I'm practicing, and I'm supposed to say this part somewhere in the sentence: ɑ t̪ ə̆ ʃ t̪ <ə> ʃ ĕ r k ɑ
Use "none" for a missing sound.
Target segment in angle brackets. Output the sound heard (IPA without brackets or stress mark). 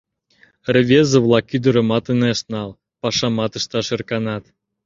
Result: ɑ